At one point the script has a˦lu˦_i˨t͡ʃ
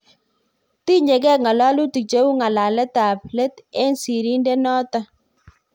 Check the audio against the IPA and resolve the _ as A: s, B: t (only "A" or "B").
B